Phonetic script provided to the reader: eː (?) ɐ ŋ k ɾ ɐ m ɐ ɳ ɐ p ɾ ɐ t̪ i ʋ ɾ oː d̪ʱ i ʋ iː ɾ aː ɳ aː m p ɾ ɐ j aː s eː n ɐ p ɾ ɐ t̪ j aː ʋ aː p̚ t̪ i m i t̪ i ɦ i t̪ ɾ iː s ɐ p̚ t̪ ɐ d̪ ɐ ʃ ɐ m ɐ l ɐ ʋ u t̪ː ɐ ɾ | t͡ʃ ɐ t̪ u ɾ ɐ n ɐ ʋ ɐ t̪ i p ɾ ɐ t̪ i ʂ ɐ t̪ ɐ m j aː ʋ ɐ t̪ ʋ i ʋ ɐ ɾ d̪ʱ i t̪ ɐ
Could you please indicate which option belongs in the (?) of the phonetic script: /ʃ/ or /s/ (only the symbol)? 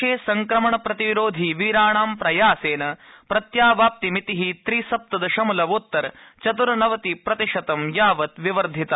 s